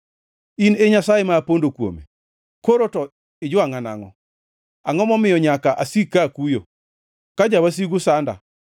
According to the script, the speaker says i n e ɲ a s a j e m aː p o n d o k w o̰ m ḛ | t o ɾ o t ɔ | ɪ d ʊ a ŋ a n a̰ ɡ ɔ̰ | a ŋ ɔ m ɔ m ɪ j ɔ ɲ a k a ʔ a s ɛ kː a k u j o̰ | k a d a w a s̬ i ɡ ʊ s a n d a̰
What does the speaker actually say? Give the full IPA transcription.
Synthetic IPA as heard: i n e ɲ a s a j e m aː p o n d o k w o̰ m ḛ | k o ɾ o t ɔ | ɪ d͡ʒ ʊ a ŋ a n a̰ ŋ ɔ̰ | a ŋ ɔ m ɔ m ɪ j ɔ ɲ a k a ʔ a s i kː a k u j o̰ | k a d͡ʒ a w a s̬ i ɡ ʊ s a n d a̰

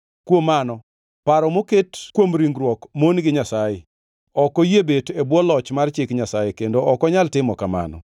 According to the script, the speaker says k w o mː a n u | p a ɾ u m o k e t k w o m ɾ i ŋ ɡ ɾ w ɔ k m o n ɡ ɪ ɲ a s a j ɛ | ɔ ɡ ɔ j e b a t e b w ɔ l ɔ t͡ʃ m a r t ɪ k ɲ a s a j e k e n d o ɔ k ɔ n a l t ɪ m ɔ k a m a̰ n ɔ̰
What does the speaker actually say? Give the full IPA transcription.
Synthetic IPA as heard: k w o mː a n ɔ | p a ɾ ɔ m o k e t k w o m ɾ i ŋ ɡ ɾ w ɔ k m o n ɡ ɪ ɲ a s a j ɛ | ɔ k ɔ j e b e t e b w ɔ l ɔ t͡ʃ m a r t͡ʃ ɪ k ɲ a s a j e k e n d o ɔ k ɔ ɲ a l t ɪ m ɔ k a m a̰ n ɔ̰

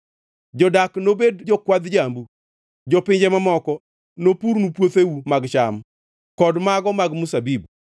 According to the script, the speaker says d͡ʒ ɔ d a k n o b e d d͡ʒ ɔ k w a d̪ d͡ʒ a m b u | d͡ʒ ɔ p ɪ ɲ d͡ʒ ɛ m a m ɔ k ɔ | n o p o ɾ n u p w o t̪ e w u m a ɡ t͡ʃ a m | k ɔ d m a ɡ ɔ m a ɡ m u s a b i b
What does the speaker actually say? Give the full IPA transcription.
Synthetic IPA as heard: d͡ʒ ɔ d a k n o b e d d͡ʒ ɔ k w a d̪ d͡ʒ a m b u | d͡ʒ ɔ p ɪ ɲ d͡ʒ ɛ m a m ɔ k ɔ | n o p u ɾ n u p w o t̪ e w u m a ɡ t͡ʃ a m | k ɔ d m a ɡ ɔ m a ɡ m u s a b i b

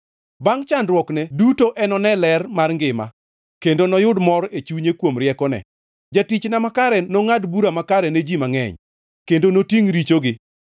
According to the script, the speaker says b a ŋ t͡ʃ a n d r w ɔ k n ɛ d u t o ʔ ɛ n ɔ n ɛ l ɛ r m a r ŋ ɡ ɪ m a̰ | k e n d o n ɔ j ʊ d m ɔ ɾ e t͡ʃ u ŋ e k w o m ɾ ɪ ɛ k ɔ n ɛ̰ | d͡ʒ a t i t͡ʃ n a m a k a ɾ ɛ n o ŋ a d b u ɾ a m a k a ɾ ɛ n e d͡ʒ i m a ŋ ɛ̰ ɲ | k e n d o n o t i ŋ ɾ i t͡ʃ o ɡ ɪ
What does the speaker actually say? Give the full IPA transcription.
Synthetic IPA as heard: b a ŋ t͡ʃ a n d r w ɔ k n ɛ d u t o ʔ ɛ n ɔ n ɛ l ɛ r m a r ŋ ɡ ɪ m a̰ | k e n d o n ɔ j ʊ d m ɔ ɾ e t͡ʃ u ɲ e k w o m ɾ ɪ ɛ k ɔ n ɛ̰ | d͡ʒ a t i t͡ʃ n a m a k a ɾ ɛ n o ŋ a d b u ɾ a m a k a ɾ ɛ n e d͡ʒ i m a ŋ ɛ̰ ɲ | k e n d o n o t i ŋ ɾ i t͡ʃ o ɡ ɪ

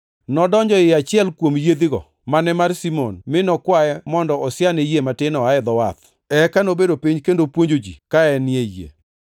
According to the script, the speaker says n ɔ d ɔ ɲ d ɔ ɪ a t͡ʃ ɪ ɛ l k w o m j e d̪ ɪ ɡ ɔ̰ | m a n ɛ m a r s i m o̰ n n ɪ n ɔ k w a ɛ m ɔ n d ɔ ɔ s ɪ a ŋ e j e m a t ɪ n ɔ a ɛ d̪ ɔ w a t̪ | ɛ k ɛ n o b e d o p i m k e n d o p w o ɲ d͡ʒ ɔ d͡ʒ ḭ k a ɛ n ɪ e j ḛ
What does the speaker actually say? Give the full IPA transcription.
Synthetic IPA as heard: n ɔ d ɔ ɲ d͡ʒ ɔ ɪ a t͡ʃ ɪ ɛ l k w o m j e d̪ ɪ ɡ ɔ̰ | m a n ɛ m a r s i m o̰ n m ɪ n ɔ k w a ɛ m ɔ n d ɔ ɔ s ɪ a n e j e m a t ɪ n ɔ a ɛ d̪ ɔ w a t̪ | ɛ k a n o b e d o p i ɲ k e n d o p w o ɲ d͡ʒ o d͡ʒ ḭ k a ɛ n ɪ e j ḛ

